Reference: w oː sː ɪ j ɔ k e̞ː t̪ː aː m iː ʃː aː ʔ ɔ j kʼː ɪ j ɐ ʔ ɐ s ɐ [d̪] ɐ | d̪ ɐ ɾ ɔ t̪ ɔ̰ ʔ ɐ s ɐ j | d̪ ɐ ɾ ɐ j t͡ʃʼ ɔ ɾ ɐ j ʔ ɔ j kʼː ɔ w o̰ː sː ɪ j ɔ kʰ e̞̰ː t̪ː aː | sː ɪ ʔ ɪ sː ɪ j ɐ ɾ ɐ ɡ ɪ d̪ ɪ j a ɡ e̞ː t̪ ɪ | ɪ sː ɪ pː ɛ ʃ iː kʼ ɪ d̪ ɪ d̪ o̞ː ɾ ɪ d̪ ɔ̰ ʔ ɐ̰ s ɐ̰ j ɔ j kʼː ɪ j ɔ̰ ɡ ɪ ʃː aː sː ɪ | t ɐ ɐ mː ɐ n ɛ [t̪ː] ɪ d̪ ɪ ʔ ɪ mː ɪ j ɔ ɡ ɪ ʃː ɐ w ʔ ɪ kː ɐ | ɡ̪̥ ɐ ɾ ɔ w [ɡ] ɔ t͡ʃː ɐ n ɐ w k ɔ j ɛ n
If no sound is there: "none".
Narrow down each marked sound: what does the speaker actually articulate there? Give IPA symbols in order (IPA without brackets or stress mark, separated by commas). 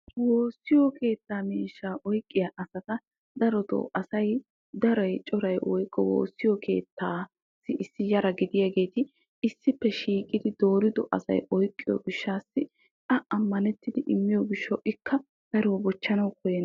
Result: t̪, t̪ː, b